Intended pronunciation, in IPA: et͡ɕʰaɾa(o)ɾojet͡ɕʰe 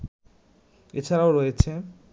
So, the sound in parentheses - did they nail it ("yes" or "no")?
yes